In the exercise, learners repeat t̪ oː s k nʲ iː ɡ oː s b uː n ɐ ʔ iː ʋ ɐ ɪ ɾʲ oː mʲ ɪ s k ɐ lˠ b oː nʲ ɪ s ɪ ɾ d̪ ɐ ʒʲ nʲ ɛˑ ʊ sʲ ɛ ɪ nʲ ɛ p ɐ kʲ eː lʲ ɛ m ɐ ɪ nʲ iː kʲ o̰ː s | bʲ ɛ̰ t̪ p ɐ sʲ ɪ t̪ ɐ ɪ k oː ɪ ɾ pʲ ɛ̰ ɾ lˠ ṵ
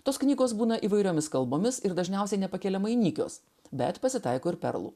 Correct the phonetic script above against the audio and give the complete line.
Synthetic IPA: t̪ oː s k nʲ iː ɡ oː s b uː n ɐ ʔ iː ʋ ɐ ɪ ɾʲ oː mʲ ɪ s k ɐ lˠ b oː mʲ ɪ s ɪ ɾ d̪ ɐ ʒʲ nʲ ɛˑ ʊ sʲ ɛ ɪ nʲ ɛ p ɐ kʲ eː lʲ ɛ m ɐ ɪ nʲ iː kʲ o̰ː s | bʲ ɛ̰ t̪ p ɐ sʲ ɪ t̪ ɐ ɪ k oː ɪ ɾ pʲ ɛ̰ ɾ lˠ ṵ